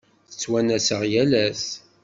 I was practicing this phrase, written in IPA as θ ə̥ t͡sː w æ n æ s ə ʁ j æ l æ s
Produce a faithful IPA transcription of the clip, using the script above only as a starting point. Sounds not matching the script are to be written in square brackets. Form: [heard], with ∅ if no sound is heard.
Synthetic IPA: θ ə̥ t͡sː w æ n æ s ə ʁ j æ l æ s

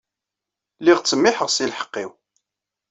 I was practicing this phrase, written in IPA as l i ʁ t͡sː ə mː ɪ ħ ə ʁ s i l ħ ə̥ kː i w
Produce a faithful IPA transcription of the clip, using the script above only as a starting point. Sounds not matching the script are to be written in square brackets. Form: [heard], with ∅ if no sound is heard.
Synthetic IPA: l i ʁ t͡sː ə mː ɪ ħ ə ʁ s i l ħ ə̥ [qː] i w

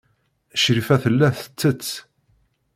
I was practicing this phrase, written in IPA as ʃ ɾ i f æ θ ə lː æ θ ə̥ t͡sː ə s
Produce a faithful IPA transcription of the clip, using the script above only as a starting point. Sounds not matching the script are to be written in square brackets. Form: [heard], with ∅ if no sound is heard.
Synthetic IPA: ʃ ɾ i f æ θ ə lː æ θ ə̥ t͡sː ə [t͡s]

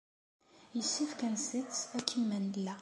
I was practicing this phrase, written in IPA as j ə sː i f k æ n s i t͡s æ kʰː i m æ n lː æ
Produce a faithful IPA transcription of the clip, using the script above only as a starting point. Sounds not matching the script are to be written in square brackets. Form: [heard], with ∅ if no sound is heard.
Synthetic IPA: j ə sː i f k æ n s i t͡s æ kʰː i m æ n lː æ

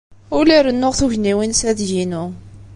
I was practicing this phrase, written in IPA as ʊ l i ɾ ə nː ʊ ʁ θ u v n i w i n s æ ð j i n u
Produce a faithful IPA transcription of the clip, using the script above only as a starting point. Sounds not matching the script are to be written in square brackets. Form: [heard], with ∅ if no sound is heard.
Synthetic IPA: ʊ l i ɾ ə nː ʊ ʁ θ u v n i w i n s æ ð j i n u

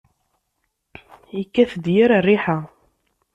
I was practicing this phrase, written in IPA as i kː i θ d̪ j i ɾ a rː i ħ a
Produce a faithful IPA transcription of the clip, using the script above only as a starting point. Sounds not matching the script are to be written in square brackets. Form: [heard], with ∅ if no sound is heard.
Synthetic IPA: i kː [æ] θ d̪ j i ɾ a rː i ħ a

